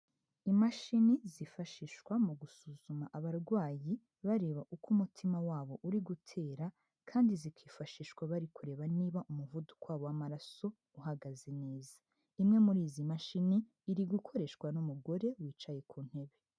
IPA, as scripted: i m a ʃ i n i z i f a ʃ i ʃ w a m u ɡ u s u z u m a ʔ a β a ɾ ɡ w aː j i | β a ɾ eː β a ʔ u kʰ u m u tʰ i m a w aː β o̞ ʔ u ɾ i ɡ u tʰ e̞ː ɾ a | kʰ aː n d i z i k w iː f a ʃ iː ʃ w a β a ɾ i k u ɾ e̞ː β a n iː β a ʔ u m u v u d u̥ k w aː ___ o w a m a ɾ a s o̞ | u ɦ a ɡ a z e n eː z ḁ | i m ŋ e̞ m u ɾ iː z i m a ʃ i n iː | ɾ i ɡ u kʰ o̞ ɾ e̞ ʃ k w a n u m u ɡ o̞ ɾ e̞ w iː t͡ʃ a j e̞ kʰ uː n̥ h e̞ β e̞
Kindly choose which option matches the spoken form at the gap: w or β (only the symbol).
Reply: β